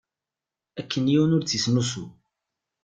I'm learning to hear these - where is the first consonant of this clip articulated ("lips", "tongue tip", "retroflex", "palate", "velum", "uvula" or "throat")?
velum